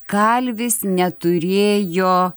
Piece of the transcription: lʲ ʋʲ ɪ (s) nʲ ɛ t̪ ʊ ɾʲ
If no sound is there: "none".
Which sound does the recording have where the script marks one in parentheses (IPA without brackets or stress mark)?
s